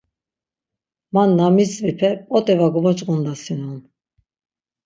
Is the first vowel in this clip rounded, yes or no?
no